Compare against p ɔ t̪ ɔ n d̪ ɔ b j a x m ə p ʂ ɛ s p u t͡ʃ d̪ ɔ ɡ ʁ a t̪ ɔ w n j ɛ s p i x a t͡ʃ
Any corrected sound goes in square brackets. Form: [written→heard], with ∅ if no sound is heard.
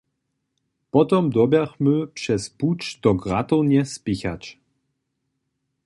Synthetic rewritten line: p ɔ t̪ ɔ [n→m] d̪ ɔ b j a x m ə p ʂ ɛ s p u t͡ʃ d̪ ɔ ɡ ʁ a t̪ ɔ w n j ɛ s p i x a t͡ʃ